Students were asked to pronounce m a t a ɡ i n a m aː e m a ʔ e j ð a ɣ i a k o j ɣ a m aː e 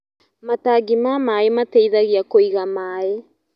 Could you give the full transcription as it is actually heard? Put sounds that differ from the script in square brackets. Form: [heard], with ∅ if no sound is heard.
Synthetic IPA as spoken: m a t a ɡ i [m] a m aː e m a [t] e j ð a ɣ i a k o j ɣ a m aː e